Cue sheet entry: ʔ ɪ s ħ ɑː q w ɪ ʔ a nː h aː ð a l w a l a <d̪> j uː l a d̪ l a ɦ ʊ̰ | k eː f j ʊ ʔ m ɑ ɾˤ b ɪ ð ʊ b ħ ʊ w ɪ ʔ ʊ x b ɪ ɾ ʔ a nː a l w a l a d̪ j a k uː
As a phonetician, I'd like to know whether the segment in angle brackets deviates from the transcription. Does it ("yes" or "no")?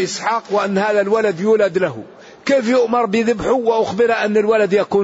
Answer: no